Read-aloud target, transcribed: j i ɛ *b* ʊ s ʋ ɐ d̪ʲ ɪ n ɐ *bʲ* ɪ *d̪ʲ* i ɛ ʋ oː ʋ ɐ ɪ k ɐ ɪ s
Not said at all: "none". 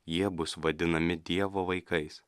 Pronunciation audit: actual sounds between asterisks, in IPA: b, mʲ, d̪ʲ

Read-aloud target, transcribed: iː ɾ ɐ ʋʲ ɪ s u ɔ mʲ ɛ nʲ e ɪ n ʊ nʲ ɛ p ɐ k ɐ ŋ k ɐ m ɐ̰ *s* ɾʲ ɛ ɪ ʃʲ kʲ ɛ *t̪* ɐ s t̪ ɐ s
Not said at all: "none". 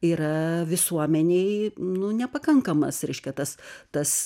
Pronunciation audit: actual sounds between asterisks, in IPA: s, t̪

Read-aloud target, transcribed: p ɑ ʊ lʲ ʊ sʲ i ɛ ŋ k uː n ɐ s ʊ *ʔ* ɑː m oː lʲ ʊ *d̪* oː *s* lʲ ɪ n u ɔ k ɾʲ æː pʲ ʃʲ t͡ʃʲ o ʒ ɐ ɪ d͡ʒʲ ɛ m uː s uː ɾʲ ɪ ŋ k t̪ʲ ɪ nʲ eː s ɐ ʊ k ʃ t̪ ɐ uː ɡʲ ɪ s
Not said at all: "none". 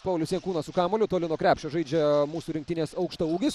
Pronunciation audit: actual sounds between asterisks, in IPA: k, t̪, none

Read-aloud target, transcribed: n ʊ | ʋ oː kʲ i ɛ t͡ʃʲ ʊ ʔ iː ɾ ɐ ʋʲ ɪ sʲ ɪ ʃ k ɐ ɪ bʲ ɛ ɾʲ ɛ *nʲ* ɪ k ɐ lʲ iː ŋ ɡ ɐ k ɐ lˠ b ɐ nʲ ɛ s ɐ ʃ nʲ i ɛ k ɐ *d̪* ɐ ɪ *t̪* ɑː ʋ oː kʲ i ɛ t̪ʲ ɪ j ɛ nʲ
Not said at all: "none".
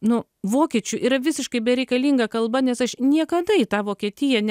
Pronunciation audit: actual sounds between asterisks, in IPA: none, d̪, t̪

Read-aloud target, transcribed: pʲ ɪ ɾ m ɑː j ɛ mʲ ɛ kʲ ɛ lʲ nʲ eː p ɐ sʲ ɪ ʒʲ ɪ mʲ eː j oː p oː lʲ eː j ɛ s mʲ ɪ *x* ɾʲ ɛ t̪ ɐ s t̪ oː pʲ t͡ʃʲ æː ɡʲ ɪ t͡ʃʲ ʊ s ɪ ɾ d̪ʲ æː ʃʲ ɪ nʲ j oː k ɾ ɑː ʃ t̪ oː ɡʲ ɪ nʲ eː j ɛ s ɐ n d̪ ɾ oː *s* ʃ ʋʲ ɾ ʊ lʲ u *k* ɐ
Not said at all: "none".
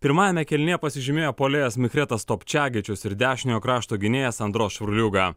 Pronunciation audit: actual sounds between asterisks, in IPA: x, s, ɡ

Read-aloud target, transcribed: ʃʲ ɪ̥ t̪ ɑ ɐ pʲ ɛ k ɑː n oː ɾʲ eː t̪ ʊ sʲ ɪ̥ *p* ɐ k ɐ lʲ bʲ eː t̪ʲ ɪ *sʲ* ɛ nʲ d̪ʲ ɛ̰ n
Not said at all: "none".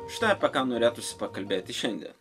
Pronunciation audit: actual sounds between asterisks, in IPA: p, ʃʲ

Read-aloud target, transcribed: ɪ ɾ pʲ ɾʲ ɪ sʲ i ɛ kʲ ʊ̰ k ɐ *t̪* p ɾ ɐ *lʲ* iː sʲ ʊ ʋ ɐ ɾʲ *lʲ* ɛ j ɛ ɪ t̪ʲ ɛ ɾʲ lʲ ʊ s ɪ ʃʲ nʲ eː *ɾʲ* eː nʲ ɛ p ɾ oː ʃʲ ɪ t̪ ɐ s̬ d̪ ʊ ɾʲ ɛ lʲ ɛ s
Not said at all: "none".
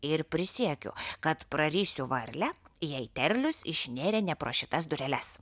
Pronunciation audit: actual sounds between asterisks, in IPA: t̪, ɾʲ, lʲ, ɾʲ

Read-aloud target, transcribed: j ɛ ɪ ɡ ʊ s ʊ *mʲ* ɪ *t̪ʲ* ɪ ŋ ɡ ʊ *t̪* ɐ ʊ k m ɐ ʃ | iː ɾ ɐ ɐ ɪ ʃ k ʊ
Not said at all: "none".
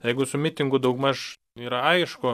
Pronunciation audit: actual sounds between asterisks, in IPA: mʲ, t̪ʲ, d̪

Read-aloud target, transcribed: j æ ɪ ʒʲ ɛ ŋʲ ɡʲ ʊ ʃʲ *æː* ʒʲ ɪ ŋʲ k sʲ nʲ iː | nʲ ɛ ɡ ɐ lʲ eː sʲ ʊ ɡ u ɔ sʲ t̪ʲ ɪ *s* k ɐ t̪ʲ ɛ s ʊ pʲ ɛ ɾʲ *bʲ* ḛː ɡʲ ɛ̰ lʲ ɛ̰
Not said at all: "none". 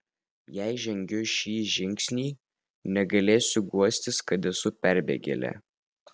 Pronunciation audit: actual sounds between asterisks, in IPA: iː, s, bʲ

